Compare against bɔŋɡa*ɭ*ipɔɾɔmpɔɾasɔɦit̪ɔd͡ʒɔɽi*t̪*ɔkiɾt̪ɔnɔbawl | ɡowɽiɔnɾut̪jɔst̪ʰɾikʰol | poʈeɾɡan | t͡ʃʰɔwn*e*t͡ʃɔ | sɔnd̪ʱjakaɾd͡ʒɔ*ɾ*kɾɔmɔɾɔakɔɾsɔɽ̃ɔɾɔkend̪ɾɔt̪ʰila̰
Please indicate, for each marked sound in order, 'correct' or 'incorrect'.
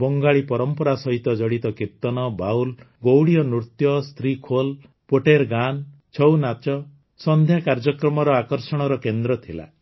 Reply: correct, correct, incorrect, incorrect

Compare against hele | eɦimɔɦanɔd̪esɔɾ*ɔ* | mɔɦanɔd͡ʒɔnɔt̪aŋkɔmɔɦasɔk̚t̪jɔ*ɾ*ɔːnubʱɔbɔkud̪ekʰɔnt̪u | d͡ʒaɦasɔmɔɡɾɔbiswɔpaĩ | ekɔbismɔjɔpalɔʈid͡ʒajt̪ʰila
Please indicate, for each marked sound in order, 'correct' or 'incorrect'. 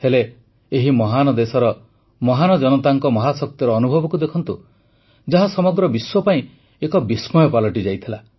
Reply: correct, correct

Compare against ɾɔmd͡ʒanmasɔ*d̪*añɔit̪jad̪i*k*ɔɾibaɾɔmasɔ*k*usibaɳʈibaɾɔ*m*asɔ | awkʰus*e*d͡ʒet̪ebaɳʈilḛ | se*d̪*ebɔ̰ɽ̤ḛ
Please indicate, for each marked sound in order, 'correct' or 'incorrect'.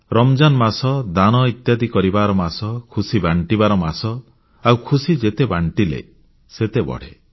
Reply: correct, correct, incorrect, correct, incorrect, incorrect

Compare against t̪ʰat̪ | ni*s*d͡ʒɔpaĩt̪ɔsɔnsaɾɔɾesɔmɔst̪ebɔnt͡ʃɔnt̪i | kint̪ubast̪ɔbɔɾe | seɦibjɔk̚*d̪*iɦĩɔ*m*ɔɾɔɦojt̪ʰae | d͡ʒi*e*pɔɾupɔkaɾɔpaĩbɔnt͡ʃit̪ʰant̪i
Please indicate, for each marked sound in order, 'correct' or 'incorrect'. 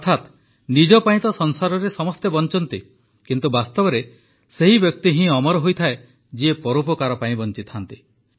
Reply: incorrect, incorrect, correct, correct

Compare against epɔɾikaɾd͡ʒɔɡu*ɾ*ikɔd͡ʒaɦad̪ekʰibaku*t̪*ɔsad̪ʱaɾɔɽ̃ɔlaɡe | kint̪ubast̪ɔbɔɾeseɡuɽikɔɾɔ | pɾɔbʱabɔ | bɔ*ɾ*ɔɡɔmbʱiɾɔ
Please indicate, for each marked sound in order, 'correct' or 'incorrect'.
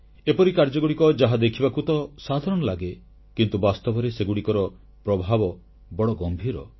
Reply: incorrect, correct, incorrect

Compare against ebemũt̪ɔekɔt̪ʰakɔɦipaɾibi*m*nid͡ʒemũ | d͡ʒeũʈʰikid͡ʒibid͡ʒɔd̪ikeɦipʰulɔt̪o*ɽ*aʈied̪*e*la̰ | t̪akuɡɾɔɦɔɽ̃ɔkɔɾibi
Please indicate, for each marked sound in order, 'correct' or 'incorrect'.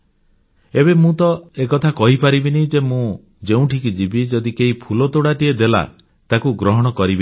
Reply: incorrect, correct, correct

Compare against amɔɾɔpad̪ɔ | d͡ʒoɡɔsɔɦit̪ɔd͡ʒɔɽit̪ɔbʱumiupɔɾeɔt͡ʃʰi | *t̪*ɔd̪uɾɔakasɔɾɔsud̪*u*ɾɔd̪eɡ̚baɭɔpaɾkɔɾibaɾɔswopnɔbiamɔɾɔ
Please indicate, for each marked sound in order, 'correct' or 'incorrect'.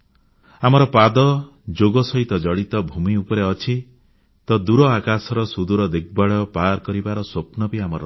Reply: correct, correct

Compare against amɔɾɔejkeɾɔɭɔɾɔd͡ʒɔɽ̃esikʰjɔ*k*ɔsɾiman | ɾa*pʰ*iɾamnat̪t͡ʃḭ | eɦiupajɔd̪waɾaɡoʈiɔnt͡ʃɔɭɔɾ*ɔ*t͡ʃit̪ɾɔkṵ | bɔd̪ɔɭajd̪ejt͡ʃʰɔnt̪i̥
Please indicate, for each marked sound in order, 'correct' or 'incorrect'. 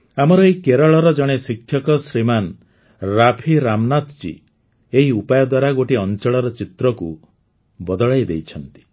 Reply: correct, correct, correct

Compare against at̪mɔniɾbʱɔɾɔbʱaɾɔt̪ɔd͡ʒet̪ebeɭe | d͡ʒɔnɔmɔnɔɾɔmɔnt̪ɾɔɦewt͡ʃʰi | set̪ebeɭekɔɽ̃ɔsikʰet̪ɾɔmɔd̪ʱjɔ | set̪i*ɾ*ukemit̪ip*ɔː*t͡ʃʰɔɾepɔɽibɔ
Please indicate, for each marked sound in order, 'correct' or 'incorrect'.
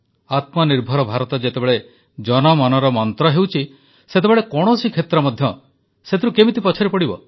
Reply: correct, incorrect

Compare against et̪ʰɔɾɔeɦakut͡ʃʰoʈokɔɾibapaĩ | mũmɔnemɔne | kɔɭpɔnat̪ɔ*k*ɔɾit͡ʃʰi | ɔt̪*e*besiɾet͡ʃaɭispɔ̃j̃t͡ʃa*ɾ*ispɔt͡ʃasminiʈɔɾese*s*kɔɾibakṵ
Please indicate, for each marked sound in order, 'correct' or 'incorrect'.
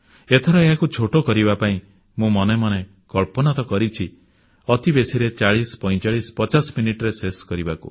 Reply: correct, incorrect, incorrect, correct

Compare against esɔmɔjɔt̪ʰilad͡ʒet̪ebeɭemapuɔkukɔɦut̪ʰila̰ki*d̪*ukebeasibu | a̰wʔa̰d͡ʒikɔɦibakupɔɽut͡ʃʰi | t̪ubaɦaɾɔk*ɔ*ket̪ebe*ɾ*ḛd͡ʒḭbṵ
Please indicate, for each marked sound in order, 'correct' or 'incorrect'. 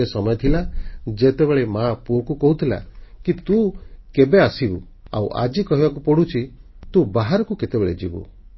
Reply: incorrect, incorrect, incorrect

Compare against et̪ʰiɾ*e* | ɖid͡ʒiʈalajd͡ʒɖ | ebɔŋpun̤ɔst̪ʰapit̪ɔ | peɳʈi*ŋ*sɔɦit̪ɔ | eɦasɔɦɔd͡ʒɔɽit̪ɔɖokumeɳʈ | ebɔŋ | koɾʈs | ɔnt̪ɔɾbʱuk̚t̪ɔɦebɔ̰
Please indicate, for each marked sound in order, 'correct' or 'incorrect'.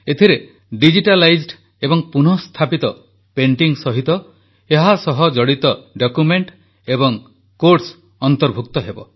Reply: correct, correct

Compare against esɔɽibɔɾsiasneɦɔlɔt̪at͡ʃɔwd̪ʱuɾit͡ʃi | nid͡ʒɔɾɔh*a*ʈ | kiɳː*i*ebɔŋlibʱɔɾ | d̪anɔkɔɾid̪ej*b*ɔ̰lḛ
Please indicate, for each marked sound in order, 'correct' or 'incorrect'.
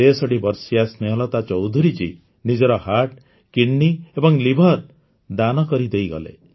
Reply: correct, correct, incorrect

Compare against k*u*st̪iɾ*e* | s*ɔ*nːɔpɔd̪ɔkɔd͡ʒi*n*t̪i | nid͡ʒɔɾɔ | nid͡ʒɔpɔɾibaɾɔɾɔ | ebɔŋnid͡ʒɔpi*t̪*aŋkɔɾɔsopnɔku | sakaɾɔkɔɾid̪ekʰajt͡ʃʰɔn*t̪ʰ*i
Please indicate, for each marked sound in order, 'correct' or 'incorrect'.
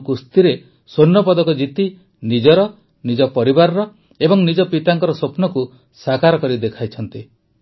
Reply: correct, correct, incorrect, incorrect, correct, incorrect

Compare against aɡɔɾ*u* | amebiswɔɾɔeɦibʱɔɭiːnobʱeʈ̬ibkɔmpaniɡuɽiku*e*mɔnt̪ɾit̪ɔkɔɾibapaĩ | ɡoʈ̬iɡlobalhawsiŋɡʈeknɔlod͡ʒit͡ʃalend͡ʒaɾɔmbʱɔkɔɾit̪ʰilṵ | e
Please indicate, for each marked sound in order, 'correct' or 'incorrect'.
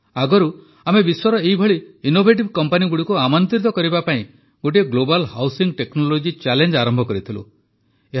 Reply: correct, incorrect

